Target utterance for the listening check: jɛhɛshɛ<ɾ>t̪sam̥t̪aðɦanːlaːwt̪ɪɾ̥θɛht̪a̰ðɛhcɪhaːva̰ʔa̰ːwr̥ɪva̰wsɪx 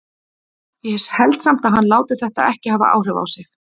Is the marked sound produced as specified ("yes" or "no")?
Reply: no